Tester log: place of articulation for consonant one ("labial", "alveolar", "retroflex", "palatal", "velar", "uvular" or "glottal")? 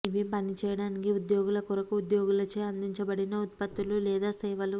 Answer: labial